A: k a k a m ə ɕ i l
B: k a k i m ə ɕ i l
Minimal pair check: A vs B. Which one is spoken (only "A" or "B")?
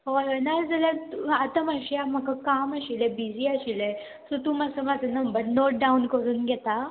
A